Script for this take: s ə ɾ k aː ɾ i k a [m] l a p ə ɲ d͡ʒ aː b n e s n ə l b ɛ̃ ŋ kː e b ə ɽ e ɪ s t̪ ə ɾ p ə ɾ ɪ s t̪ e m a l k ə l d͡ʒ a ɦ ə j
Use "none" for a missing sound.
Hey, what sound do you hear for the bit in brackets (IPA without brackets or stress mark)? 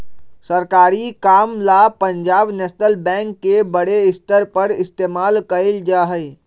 m